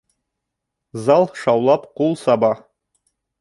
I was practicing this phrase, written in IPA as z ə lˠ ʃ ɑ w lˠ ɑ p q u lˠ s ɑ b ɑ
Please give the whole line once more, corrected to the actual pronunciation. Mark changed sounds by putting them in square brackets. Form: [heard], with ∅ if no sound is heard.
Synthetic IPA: z [ɑ] lˠ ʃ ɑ w lˠ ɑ p q u lˠ s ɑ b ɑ